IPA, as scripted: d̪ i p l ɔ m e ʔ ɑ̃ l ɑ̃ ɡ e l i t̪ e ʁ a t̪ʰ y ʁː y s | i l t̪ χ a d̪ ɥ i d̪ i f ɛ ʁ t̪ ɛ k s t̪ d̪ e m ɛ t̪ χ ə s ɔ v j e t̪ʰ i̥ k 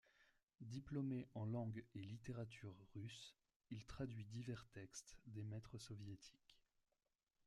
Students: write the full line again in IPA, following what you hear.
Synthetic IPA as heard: d̪ i p l ɔ m e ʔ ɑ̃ l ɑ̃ ɡ e l i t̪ e ʁ a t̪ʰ y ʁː y s | i l t̪ χ a d̪ ɥ i d̪ i v ɛ ʁ t̪ ɛ k s t̪ d̪ e m ɛ t̪ χ ə s ɔ v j e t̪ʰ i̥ k